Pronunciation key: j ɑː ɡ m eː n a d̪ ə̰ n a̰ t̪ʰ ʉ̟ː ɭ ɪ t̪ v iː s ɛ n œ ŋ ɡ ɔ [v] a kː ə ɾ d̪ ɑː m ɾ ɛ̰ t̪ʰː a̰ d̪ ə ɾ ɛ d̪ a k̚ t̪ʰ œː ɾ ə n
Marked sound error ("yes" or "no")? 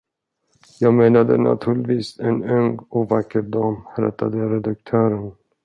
no